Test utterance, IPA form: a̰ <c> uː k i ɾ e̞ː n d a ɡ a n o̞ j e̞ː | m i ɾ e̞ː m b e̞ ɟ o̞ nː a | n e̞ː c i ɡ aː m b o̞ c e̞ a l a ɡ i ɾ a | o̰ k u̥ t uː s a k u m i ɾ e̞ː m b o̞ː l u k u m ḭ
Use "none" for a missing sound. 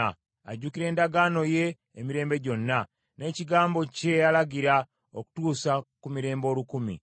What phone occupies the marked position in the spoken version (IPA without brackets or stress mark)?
ɟ